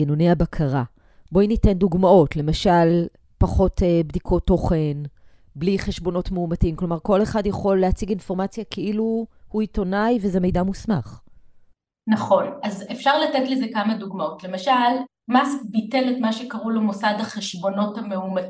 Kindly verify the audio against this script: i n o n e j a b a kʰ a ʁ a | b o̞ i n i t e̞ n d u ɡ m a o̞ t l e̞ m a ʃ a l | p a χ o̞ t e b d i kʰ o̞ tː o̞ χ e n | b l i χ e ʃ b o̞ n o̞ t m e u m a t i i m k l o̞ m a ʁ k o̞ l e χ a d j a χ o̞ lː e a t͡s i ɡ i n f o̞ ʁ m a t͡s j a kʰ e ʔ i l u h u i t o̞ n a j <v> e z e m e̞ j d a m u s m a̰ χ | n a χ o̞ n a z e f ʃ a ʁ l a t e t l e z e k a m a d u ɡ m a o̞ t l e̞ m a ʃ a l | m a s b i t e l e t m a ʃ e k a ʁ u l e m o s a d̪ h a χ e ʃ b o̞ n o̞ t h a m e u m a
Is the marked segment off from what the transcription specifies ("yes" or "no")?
no